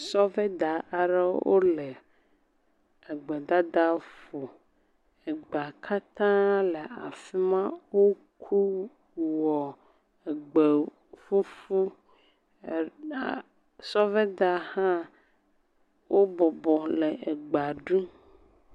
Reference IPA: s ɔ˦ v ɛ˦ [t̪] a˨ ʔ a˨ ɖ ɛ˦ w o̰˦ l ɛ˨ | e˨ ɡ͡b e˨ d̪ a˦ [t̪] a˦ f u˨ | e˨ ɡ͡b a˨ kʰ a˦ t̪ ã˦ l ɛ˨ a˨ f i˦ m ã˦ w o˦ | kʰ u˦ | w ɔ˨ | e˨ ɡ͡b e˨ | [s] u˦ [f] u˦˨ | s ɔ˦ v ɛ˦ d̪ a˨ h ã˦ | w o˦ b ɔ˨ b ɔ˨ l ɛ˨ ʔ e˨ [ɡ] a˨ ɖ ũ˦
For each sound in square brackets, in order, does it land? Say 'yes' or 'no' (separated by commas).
no, no, no, yes, no